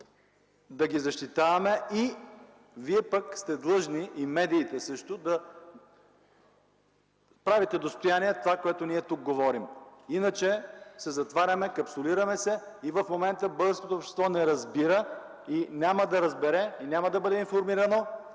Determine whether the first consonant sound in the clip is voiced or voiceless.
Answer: voiced